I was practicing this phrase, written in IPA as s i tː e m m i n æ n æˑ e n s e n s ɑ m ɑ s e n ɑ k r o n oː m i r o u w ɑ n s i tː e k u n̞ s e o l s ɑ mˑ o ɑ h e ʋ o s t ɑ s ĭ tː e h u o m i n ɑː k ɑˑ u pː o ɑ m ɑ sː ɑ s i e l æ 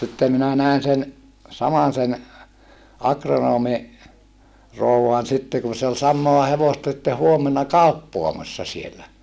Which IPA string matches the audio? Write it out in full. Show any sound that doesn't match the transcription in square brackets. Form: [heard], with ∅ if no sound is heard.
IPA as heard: s i tː e m m i n æ n æˑ e n s e n s ɑ m ɑ s e n ɑ k r o n oː m i r o u w ɑ n s i tː e k u n̞ s e o l s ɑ mˑ o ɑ h e ʋ o s t ɑ s ĭ tː e h u o m [e] n [ɑ] k ɑˑ u pː o ɑ m ɑ sː ɑ s i e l æ